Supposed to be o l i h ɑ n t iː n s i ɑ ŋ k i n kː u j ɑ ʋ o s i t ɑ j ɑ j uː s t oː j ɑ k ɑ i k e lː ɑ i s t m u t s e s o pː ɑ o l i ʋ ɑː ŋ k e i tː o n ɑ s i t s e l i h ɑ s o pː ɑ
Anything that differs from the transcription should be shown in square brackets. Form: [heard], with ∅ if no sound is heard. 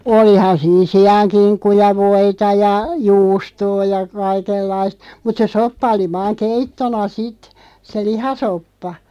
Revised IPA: o l i h ɑ n [s] iː n s i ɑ ŋ k i n kː u j ɑ ʋ o [∅] i t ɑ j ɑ j uː s t oː j ɑ k ɑ i k e lː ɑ i s t m u t s e s o pː ɑ o l i ʋ ɑː ŋ k e i tː o n ɑ s i t s e l i h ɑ s o pː ɑ